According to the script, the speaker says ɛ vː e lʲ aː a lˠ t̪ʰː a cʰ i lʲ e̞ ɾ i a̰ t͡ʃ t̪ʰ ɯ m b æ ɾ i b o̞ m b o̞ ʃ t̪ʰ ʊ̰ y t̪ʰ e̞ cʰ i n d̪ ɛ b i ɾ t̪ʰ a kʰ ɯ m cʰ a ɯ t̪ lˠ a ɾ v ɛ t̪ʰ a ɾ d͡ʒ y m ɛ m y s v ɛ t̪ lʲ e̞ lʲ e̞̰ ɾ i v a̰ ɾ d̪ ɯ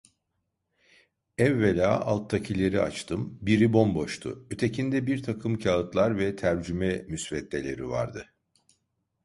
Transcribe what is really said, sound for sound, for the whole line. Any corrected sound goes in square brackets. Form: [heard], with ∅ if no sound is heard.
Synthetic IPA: ɛ vː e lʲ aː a lˠ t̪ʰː a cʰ i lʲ e̞ ɾ i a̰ t͡ʃ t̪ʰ ɯ m b [i] ɾ i b o̞ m b o̞ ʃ t̪ʰ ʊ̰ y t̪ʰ e̞ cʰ i n d̪ ɛ b i ɾ t̪ʰ a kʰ ɯ m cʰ a ɯ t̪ lˠ a ɾ v ɛ t̪ʰ [æ] ɾ d͡ʒ y m ɛ m y s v ɛ t̪ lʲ e̞ lʲ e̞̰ ɾ i v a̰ ɾ d̪ ɯ